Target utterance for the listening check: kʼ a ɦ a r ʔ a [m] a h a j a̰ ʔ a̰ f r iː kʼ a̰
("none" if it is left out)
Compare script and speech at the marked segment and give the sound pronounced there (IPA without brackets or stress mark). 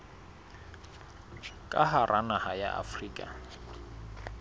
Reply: n